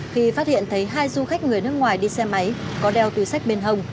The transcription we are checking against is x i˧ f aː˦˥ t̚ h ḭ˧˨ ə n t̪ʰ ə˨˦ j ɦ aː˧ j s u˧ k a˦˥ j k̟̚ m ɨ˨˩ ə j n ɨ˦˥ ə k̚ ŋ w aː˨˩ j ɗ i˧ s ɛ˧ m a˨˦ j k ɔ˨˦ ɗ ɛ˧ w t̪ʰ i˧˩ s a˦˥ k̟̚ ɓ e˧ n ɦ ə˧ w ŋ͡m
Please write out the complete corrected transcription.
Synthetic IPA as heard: x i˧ f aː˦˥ t̚ h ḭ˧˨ ə n t̪ʰ ə˨˦ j ɦ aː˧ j z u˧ x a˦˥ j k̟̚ ŋ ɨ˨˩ ə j n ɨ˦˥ ə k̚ ŋ w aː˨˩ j ɗ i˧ s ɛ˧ m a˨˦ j k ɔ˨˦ ɗ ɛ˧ w t̪ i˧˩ s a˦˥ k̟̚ ɓ e˧ n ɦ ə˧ w ŋ͡m